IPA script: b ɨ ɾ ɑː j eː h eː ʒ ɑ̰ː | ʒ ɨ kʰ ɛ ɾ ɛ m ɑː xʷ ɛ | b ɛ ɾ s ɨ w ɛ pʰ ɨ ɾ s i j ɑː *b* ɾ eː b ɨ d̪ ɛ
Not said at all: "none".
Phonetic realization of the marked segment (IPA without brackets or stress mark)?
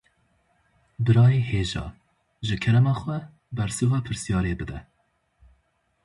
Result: none